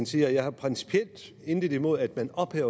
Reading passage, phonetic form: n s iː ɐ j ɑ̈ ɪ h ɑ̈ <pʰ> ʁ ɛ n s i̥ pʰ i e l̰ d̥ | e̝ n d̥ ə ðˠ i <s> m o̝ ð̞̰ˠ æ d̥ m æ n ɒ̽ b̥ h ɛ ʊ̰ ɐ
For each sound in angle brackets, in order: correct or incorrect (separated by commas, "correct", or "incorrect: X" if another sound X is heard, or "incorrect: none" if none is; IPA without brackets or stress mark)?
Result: correct, incorrect: none